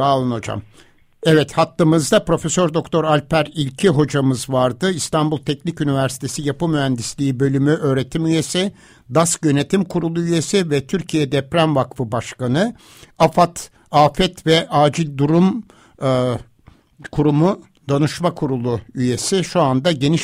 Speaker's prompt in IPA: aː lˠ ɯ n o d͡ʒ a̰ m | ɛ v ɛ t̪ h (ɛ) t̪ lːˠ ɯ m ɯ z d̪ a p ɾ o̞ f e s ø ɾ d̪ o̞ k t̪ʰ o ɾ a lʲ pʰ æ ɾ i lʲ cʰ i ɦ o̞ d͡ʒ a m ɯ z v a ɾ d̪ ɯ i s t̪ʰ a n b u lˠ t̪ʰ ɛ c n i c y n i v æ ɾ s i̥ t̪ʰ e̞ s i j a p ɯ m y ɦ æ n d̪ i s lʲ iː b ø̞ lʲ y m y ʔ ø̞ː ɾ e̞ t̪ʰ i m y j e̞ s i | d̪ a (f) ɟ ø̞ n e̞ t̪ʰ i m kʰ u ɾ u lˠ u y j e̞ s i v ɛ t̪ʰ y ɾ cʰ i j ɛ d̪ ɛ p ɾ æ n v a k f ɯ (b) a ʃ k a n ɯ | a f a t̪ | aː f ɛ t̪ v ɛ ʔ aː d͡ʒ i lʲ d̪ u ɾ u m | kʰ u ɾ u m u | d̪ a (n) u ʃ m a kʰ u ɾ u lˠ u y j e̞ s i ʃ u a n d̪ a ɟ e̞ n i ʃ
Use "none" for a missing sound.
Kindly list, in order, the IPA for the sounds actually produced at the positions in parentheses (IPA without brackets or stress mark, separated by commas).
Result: a, s, b, n